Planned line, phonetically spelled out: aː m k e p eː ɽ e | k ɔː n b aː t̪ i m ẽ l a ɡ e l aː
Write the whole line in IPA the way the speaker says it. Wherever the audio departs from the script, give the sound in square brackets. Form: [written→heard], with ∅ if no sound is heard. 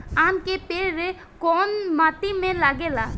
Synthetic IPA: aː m k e p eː [ɽ→ɾ] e | k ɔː n [b→m] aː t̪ i m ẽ l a ɡ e l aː